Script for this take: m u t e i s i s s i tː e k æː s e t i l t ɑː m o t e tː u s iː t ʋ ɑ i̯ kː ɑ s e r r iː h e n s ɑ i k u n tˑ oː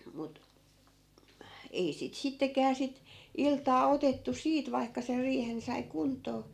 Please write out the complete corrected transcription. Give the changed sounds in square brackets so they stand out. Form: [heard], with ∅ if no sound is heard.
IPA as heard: m u t e i s i [t] s i tː e k æː s [i] t i l t ɑː [∅] o t e tː u s iː t ʋ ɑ i̯ kː ɑ s e r r iː h e n s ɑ i k u n tˑ oː

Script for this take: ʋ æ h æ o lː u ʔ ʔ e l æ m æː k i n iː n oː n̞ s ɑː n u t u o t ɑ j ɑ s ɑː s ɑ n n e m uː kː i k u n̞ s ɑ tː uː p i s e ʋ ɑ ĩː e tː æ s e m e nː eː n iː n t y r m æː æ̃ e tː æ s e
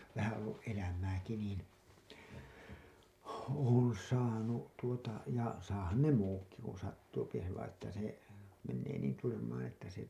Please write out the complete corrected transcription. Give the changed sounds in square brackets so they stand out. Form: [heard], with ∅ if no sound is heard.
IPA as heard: ʋ æ h æ o lː u ʔ ʔ e l æ m æː k i n iː n oː n̞ s ɑː n u t u o t ɑ j ɑ s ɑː [h] ɑ n n e m uː kː i k u n̞ s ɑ tː uː p i s e ʋ ɑ ĩː e tː æ s e m e nː eː n iː n t y r m æː æ̃ e tː æ s e

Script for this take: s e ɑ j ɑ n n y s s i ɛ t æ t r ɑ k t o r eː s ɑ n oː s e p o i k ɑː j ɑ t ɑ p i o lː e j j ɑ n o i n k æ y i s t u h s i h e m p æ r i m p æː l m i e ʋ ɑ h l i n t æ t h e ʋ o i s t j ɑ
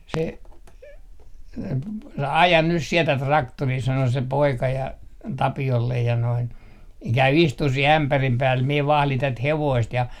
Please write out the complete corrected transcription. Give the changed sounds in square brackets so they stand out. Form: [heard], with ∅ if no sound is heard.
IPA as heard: s e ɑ j ɑ n n y s s i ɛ t æ t r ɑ k t o r [iː] s ɑ n [o] s e p o i k [ɑ] j ɑ t ɑ p i o lː e j j ɑ n o i n k æ y i s t u h s i h [æ] m p æ r i m p æː l m i e ʋ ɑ h l i n t æ t h e ʋ o i s t j ɑ

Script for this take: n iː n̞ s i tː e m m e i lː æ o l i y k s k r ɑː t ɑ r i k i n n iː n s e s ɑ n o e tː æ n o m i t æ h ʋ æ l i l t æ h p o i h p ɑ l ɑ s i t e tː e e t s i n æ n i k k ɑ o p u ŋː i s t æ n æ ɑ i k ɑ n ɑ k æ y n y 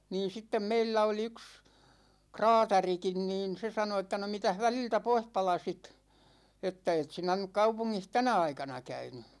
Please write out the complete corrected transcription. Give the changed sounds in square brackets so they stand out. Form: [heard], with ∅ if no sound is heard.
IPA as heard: n iː n̞ s i tː e m m e i lː æ o l i y k s k r ɑː t ɑ r i k i n n iː n s e s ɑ n o e tː æ n o m i t æ h ʋ æ l i l t æ [∅] p o i h p ɑ l ɑ s i t e tː [æ] e t s i n æ n [y] k k ɑ [u] p u ŋː i [h] t æ n æ ɑ i k ɑ n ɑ k æ y n y

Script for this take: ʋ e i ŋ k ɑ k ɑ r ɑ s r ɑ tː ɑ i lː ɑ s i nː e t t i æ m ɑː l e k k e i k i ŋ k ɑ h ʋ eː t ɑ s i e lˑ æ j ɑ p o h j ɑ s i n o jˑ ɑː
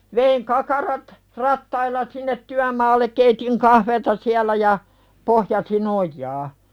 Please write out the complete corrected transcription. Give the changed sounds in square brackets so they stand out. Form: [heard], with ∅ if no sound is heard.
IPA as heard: ʋ e i ŋ k ɑ k ɑ r ɑ [t] r ɑ tː ɑ i lː ɑ s i nː e t t [y] æ m ɑː [lː] e k k e i [t] i ŋ k ɑ h ʋ eː t ɑ s i [æ] lˑ æ j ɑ p o h j ɑ s i n o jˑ ɑː

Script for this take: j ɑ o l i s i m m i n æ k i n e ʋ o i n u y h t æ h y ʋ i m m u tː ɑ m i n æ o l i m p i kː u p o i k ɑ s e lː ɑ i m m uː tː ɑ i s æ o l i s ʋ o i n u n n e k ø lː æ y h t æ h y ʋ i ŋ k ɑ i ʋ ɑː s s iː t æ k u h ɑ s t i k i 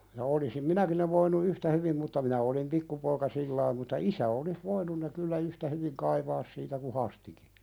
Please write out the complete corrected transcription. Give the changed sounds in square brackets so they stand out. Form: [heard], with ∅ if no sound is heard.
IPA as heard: j ɑ o l i s i m m i n æ k i n e ʋ o i n u y h t æ h y ʋ i m m u tː ɑ m i n æ o l i m p i kː u p o i k ɑ s [i] lː ɑ i m m [u] tː ɑ i s æ o l i s ʋ o i n u n n e k [y] lː æ y h t æ h y ʋ i ŋ k ɑ i ʋ ɑː s s iː t æ k u h ɑ s t i k i

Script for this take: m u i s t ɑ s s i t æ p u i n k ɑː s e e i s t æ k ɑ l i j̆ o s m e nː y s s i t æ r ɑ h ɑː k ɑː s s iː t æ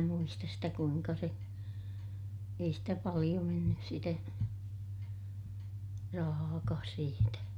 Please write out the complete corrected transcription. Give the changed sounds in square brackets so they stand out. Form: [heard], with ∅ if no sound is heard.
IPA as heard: m u i s t ɑ s s i t æ [k] u i [ŋ] k [ɑ] s e e i s t æ [p] ɑ l i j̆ o [∅] m e nː y s s i t æ r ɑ h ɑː k ɑː s s iː t æ

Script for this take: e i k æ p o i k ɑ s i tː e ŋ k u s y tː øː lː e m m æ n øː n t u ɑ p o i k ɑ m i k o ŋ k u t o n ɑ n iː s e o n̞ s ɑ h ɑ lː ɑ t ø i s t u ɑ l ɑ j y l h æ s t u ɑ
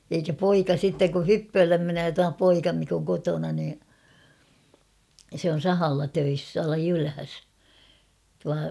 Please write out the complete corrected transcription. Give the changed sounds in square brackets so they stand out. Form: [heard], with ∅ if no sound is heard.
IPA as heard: e i k æ p o i k ɑ s i tː e ŋ k u [h] y [pː] øː lː e m m [e] n øː [∅] t u ɑ p o i k ɑ m i k o ŋ k [o] t o n ɑ n iː s e o n̞ s ɑ h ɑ lː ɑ t ø i s t u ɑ l ɑ j y l h æ s t u ɑ

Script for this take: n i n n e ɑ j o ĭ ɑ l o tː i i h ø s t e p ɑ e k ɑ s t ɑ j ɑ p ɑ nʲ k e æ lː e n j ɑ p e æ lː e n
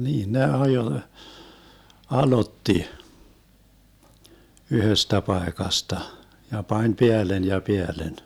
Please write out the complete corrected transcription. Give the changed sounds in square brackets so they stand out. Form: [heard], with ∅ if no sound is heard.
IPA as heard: n [iː] n n e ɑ j o ĭ ɑ l o tː i [y] h ø s t [æ] p ɑ e k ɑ s t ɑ j ɑ p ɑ nʲ [p] e æ lː e n j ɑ p e æ lː e n

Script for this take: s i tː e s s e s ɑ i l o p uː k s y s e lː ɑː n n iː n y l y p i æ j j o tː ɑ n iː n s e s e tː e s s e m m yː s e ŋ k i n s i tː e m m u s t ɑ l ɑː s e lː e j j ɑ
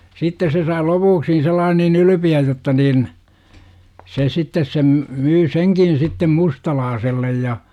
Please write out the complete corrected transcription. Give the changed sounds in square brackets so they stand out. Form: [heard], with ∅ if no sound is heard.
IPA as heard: s i tː e s s e s ɑ i l o p uː k s [i] s e lː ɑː n n iː n y l y p i æ j j o tː ɑ n iː n s e s [i] tː e s s e m m yː s e ŋ k i n s i tː e m m u s t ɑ l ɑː s e lː e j j ɑ

